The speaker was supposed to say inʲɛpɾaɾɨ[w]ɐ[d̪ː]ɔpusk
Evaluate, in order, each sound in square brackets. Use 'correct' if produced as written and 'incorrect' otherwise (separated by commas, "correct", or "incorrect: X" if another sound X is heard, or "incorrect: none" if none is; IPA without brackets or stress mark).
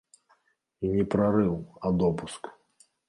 correct, incorrect: d̪